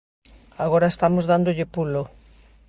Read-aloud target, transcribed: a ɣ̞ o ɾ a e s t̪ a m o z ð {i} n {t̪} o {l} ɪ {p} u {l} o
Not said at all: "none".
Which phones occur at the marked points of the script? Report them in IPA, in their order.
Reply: a, d̪, ʎ, p, l

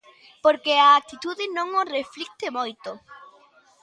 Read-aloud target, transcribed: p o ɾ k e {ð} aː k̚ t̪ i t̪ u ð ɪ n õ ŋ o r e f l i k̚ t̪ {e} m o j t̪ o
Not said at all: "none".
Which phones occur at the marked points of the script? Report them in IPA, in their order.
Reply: none, e

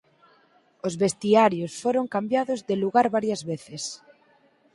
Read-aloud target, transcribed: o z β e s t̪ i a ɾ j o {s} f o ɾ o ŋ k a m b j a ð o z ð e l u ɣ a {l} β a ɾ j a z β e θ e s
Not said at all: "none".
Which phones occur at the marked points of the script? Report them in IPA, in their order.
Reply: s, ɾ

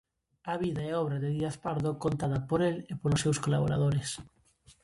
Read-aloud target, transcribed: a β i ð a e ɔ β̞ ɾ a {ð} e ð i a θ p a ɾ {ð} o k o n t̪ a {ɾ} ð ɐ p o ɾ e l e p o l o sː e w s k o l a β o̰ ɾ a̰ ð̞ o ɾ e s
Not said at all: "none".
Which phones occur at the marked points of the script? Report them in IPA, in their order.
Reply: ð, ð, none

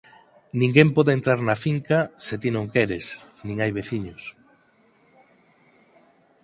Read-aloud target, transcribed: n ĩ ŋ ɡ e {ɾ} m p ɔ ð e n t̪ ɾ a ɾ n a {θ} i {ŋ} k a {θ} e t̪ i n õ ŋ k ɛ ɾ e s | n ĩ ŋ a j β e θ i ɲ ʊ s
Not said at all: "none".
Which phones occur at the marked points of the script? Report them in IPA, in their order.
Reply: none, f, ŋ, s

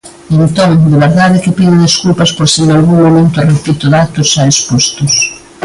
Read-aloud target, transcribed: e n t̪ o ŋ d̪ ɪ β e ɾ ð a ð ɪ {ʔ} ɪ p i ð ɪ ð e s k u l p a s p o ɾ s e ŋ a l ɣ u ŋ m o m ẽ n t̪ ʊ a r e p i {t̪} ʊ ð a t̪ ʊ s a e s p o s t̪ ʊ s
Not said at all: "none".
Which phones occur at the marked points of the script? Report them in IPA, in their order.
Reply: k, t̪

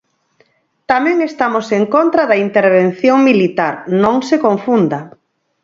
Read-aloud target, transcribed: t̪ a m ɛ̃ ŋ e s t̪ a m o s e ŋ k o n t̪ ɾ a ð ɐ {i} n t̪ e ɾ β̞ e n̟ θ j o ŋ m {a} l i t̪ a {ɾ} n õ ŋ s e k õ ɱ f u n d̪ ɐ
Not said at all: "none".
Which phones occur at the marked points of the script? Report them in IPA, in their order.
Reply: i, i, ɾ

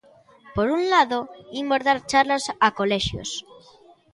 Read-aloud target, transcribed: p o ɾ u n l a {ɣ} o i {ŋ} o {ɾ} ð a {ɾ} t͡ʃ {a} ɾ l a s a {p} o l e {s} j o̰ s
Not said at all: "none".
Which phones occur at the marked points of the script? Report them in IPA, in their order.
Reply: ð, m, ɾ, ɾ, a, k, ʃ

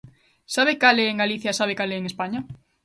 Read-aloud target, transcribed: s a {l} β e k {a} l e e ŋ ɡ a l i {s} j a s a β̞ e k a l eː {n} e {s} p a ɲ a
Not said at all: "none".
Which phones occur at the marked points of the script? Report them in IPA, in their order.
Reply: none, a, θ, ŋ, s

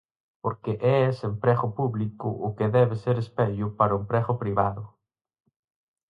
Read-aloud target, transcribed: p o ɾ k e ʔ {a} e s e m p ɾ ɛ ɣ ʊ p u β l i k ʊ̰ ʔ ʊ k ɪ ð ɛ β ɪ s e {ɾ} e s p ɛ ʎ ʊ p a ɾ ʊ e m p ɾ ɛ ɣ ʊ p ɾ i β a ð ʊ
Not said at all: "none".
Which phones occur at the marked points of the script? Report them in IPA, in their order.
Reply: ɛ, ɾ

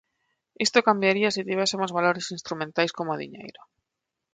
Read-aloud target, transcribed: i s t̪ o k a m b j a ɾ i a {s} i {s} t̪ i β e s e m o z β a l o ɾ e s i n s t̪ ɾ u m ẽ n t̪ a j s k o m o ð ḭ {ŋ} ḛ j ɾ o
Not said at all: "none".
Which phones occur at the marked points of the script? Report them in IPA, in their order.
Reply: s, none, ɲ

